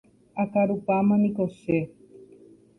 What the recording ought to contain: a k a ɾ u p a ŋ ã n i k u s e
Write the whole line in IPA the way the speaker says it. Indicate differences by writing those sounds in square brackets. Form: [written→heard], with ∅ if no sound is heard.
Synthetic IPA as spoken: a k a ɾ u p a [ŋ→m] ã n i k [u→o] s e